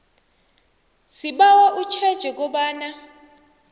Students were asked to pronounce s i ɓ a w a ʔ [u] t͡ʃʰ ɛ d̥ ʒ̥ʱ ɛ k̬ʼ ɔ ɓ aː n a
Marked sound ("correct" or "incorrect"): correct